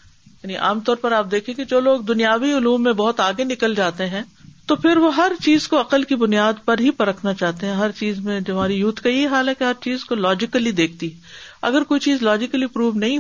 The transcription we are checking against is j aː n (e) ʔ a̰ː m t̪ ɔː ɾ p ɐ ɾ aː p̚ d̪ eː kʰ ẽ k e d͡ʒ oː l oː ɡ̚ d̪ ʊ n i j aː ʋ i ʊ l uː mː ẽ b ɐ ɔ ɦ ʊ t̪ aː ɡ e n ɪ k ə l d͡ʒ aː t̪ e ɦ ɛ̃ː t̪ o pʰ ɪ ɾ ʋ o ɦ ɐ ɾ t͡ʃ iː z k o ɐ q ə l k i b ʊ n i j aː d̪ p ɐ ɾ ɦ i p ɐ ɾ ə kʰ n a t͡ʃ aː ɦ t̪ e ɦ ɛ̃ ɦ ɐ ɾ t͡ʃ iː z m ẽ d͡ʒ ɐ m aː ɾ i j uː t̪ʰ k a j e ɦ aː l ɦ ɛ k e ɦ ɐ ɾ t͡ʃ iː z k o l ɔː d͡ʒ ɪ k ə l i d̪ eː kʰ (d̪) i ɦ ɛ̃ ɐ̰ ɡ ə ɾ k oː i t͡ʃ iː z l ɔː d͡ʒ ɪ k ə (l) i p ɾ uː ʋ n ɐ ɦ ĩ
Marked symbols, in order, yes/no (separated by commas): no, no, yes